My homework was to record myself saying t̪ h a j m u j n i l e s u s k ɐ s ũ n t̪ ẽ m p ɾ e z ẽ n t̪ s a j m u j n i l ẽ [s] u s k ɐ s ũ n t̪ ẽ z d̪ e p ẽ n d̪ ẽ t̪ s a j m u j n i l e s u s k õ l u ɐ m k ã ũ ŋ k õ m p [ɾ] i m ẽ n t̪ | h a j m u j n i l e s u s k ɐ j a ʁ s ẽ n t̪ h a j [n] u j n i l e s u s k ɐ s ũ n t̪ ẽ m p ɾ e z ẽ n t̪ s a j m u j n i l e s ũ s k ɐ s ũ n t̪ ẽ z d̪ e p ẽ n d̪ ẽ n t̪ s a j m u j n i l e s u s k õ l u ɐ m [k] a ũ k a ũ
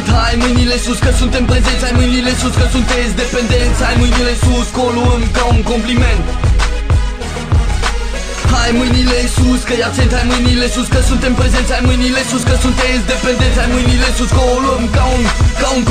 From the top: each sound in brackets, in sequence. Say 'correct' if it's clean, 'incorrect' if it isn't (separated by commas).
correct, incorrect, incorrect, correct